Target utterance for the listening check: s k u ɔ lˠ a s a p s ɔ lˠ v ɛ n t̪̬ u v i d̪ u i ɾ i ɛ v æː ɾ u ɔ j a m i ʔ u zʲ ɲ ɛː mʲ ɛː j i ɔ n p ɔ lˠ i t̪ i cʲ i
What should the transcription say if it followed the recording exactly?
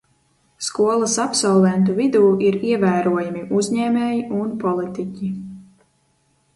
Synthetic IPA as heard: s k u ɔ lˠ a s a p s ɔ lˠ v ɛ n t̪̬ u v i d̪ uː i ɾ i ɛ v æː ɾ u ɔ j a m i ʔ u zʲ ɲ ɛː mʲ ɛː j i u n p ɔ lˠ i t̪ i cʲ i